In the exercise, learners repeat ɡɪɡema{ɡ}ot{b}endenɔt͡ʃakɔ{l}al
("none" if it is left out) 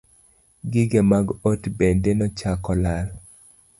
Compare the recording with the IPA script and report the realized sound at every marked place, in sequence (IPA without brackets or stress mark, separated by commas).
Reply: ɡ, b, l